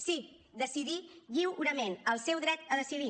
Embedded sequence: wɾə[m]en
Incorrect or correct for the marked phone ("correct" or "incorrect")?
correct